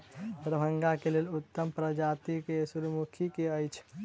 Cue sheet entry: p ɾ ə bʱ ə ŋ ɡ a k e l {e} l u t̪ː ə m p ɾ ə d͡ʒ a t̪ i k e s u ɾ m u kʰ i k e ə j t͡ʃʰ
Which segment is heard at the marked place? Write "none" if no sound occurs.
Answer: e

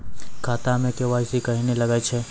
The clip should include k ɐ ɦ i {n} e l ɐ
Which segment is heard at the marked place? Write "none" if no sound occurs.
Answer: n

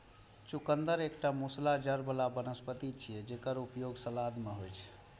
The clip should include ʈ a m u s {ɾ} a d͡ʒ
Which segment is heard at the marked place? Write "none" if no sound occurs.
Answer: l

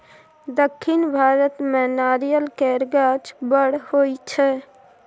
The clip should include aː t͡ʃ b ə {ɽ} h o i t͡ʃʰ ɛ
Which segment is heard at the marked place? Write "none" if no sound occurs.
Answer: ɽ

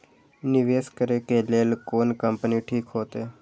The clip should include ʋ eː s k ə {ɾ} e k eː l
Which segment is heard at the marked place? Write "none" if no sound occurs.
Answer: ɾ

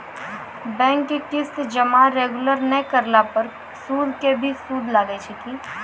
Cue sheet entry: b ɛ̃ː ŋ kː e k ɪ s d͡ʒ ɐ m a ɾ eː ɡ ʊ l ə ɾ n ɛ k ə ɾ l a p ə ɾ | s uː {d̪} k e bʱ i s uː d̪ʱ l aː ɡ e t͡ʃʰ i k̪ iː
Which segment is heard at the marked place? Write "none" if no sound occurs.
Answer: d̪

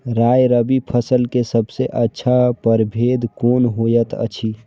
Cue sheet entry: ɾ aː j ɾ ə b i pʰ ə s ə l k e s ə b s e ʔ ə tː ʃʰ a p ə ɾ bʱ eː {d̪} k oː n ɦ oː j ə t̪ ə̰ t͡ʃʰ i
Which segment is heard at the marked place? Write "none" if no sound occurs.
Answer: d̪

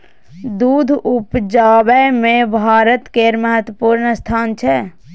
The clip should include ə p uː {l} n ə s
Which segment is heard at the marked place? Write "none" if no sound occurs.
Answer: ɾ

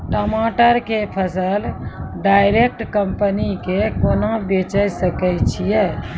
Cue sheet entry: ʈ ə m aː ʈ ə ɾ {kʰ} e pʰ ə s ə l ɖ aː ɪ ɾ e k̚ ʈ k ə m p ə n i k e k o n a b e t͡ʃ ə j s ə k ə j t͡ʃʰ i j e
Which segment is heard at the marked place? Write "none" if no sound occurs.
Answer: k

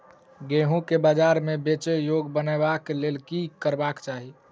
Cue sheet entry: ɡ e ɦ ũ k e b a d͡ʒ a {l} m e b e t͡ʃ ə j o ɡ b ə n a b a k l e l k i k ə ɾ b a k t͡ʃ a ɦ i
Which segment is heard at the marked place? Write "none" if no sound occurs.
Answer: ɾ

